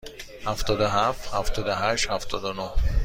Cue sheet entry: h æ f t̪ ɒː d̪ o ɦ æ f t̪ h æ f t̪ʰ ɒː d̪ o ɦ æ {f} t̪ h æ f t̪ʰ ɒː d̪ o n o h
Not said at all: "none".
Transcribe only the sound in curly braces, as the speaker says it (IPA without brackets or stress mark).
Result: ʃ